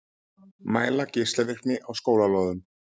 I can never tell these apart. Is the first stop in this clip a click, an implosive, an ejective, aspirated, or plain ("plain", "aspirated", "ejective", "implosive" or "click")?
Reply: plain